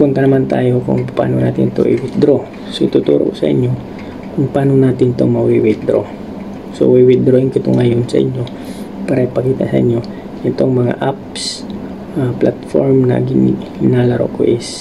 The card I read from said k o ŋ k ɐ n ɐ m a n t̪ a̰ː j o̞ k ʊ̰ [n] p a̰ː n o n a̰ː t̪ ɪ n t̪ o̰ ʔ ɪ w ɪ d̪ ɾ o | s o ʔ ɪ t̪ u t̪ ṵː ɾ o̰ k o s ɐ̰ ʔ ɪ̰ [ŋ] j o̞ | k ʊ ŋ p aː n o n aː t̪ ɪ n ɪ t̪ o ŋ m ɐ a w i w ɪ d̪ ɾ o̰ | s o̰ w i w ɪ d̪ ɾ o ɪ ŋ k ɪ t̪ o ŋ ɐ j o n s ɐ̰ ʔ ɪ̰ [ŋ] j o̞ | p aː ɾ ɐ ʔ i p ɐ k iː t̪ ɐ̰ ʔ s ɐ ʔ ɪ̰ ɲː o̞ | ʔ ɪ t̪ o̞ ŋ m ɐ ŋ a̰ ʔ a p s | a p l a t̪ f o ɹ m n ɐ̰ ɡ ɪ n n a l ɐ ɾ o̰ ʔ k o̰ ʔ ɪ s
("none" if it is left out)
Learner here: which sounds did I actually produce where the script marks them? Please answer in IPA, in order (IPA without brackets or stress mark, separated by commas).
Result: ŋ, ɲ, ɲ